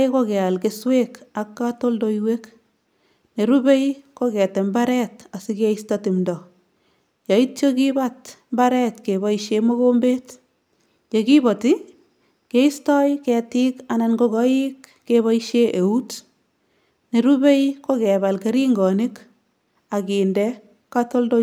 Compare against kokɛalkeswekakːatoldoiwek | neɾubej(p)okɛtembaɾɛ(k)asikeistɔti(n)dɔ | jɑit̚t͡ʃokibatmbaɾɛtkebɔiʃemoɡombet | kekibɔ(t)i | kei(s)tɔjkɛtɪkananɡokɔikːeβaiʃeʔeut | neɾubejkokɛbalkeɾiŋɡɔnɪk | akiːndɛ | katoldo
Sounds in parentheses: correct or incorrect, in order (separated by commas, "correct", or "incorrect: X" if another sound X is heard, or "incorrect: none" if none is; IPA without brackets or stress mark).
incorrect: k, incorrect: t, incorrect: m, correct, correct